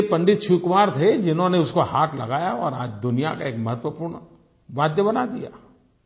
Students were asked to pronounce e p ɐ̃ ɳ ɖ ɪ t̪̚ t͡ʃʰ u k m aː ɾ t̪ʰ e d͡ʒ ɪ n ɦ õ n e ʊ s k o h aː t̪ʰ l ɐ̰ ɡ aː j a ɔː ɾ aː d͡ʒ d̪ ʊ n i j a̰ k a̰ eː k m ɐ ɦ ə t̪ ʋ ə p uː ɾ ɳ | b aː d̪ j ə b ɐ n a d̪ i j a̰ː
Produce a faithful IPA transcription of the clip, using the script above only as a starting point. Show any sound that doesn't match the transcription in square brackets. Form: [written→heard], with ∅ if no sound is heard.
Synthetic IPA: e p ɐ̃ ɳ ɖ ɪ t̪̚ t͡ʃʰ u k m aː ɾ t̪ʰ e d͡ʒ ɪ n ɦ õ n e ʊ s k o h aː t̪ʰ l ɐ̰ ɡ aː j a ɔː ɾ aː d͡ʒ d̪ ʊ n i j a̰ k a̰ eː k m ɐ ɦ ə t̪ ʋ ə p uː ɾ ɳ | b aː d̪ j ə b ɐ n a d̪ i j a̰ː